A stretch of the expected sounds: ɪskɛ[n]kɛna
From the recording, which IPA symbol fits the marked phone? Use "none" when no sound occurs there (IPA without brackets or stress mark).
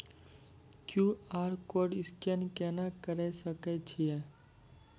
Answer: n